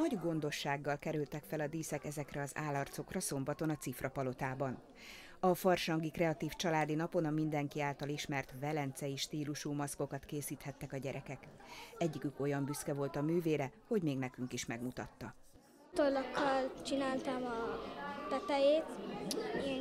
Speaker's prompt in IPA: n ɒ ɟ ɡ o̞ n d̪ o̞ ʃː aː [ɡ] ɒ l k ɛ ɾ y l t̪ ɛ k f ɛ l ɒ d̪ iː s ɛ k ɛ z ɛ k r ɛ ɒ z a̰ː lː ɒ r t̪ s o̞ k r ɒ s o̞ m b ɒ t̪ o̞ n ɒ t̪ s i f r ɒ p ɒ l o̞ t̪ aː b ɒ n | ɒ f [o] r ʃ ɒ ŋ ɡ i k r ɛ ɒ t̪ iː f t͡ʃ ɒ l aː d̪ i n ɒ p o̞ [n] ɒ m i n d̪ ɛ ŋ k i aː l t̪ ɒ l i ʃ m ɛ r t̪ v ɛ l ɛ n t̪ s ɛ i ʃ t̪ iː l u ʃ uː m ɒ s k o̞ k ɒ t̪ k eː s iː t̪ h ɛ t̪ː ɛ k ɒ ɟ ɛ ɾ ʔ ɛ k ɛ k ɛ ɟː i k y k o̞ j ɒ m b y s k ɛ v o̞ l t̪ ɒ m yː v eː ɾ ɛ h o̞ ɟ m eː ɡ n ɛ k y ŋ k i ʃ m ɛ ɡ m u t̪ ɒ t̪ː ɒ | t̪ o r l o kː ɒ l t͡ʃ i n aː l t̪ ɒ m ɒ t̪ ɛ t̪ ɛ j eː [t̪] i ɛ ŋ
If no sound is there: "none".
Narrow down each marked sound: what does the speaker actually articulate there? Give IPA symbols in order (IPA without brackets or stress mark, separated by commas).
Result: ɡː, ɒ, n, t̪